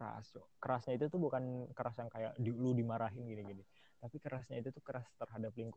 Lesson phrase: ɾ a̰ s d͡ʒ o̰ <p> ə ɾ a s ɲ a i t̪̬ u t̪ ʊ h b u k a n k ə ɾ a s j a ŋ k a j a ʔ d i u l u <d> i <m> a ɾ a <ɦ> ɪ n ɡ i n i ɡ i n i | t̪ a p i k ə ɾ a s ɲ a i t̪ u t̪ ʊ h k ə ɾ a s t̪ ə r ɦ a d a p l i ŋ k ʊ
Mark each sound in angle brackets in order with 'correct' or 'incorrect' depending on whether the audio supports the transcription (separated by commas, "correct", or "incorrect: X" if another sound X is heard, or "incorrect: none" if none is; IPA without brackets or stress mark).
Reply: incorrect: k, correct, correct, correct